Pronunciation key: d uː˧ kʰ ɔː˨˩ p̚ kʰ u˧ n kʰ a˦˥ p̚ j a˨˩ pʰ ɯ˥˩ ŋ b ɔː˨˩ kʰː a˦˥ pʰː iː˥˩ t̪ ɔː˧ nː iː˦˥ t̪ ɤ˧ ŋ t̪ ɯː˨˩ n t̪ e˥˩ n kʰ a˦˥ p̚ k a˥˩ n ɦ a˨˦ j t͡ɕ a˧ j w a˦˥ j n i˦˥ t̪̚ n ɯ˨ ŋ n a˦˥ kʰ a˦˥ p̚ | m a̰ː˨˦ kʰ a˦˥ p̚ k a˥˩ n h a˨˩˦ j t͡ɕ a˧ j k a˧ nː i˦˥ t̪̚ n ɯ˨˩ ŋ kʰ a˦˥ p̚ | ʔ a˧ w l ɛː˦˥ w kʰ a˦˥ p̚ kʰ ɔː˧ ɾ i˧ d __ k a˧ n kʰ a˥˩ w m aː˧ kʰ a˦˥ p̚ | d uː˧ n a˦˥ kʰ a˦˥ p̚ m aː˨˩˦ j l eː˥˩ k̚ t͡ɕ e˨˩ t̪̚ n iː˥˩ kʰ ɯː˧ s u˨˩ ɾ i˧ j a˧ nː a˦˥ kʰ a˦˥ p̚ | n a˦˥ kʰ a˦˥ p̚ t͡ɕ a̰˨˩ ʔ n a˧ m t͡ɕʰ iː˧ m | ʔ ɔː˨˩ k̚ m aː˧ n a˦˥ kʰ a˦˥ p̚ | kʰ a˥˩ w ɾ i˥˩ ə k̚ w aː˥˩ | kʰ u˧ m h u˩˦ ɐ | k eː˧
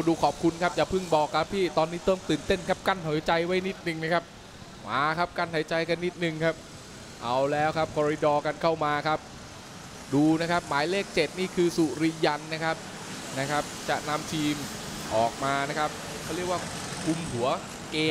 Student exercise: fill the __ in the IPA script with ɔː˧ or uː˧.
ɔː˧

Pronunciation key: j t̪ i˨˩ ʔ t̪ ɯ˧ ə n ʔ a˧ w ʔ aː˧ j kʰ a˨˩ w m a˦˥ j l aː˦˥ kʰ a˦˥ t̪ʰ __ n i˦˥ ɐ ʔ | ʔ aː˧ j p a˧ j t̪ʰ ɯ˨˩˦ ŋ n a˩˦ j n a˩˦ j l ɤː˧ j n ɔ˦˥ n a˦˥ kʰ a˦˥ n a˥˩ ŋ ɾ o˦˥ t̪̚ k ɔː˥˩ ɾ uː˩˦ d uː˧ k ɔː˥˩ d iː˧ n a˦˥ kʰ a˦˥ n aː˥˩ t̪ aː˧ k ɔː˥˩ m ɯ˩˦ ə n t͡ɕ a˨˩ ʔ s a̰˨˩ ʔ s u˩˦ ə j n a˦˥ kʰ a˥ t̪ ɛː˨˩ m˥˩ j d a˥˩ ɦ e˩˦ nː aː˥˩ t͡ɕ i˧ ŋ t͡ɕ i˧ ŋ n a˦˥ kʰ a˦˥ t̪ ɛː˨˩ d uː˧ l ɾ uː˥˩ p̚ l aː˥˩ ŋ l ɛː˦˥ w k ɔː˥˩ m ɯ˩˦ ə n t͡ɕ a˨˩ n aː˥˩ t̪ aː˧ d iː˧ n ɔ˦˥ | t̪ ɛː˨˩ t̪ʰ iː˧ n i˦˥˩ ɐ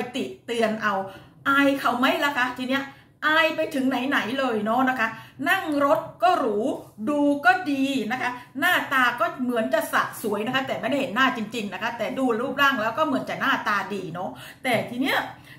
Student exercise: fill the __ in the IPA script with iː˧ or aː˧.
iː˧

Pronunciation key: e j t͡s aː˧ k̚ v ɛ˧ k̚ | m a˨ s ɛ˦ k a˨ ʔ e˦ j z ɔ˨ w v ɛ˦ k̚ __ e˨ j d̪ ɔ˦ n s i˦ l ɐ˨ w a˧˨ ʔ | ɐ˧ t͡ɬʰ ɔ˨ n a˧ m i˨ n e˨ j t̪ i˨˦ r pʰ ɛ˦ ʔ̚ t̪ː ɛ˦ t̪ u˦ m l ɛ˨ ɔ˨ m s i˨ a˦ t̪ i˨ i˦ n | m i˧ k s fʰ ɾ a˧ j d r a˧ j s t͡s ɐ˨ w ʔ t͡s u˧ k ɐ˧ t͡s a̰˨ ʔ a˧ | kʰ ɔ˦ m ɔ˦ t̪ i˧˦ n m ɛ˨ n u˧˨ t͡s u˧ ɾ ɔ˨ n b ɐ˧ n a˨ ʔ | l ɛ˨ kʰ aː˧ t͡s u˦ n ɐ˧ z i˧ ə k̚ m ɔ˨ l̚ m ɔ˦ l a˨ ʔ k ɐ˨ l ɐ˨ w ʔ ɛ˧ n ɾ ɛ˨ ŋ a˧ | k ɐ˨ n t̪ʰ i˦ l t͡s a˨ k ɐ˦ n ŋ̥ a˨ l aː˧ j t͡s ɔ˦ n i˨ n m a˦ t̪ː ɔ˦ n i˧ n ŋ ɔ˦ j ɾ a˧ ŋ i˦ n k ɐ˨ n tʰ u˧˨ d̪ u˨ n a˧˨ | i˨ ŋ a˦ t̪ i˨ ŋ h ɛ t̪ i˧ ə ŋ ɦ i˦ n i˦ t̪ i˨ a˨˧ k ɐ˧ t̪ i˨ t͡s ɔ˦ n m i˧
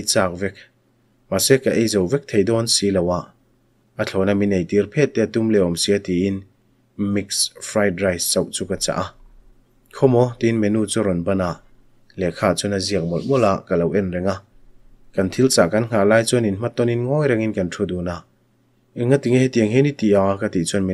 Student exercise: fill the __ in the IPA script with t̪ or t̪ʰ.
t̪ʰ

